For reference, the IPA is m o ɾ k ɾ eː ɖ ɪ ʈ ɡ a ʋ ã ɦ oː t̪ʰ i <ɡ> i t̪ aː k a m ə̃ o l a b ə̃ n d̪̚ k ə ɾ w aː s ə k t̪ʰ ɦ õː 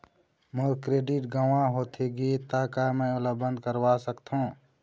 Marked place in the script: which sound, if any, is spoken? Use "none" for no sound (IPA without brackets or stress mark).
ɡ